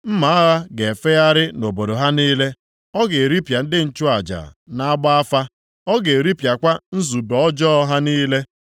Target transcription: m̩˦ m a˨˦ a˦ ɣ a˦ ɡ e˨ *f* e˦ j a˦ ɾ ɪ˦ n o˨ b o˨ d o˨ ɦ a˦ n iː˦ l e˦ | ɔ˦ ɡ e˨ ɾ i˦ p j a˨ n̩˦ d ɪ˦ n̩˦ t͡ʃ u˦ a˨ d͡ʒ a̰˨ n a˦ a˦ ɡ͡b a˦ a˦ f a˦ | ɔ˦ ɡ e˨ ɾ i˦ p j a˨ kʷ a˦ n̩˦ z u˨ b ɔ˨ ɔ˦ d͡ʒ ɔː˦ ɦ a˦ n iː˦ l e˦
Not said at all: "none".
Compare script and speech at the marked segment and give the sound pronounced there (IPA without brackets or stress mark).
f